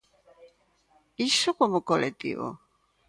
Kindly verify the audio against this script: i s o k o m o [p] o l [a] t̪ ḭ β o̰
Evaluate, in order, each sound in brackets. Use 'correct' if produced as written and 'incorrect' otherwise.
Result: incorrect, incorrect

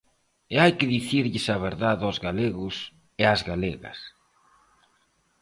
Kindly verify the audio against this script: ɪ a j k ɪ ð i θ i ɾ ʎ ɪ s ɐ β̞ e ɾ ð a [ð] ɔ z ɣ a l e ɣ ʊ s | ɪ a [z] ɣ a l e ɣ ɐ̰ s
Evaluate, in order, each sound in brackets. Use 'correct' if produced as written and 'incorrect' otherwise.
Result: correct, correct

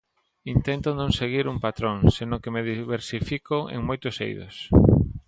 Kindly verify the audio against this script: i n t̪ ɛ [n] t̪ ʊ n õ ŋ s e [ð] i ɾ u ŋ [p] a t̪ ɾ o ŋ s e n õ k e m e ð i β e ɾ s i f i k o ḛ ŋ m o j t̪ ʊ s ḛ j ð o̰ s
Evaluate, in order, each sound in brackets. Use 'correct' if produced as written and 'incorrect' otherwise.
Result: correct, incorrect, correct

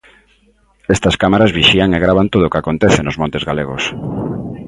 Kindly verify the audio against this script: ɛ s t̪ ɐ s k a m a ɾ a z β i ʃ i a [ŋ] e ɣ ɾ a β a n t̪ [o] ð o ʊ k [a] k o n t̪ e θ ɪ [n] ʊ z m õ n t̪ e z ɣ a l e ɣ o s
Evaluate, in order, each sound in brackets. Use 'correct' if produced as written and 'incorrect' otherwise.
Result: correct, correct, correct, correct

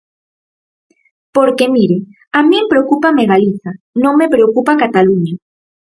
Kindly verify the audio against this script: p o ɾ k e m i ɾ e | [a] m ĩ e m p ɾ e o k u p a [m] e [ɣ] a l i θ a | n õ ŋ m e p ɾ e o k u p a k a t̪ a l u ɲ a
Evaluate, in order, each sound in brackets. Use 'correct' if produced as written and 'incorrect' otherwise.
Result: correct, correct, correct

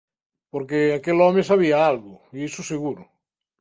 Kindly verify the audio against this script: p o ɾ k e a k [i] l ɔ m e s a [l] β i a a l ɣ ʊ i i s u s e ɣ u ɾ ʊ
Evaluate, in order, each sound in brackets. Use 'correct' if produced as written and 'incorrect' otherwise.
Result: incorrect, incorrect

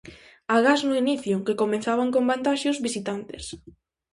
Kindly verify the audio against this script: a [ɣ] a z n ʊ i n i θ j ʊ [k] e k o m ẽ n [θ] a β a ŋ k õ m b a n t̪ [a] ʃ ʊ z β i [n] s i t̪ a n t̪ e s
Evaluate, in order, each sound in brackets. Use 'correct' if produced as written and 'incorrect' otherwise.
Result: correct, correct, correct, correct, incorrect

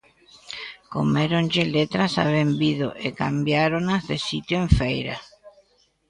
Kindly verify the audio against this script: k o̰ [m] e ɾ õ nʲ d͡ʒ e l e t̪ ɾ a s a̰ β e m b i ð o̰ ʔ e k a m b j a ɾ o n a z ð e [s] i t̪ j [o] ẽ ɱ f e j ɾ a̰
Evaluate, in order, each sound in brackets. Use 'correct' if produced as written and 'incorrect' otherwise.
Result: correct, correct, correct

